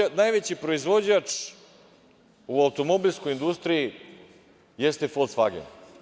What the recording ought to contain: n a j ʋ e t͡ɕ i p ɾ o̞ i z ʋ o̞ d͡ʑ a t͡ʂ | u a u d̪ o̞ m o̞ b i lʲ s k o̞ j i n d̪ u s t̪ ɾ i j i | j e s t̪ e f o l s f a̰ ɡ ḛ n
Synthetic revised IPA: n a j ʋ e t͡ɕ i p ɾ o̞ i z ʋ o̞ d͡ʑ a t͡ʂ | u a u t̪ o̞ m o̞ b i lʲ s k o̞ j i n d̪ u s t̪ ɾ i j i | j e s t̪ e f o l s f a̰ ɡ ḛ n